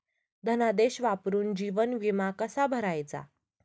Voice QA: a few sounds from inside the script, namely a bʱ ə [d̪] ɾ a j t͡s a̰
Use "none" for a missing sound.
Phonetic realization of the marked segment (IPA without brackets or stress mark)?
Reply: none